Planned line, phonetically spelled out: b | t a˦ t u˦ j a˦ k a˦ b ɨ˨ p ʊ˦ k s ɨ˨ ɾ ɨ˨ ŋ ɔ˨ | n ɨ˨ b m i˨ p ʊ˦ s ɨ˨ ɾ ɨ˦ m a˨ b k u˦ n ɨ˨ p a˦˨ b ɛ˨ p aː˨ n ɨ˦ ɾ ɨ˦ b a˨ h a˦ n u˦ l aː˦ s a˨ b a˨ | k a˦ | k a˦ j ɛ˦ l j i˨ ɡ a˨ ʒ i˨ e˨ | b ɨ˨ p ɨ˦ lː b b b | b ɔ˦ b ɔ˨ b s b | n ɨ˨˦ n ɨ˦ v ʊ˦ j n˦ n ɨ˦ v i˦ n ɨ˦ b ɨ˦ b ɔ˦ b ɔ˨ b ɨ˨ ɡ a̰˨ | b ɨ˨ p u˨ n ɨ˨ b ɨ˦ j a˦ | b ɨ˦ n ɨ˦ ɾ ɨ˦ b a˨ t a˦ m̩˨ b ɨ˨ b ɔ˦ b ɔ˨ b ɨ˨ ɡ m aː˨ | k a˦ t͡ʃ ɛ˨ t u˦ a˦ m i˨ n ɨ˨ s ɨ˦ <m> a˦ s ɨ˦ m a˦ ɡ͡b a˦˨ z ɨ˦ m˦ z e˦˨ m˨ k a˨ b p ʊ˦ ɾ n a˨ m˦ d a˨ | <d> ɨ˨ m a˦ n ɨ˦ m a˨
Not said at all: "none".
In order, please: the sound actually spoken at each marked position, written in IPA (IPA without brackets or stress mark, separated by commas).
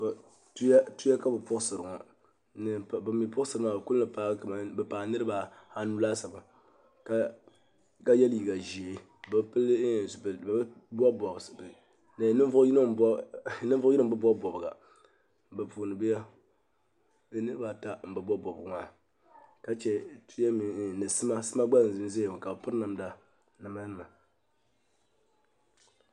m, n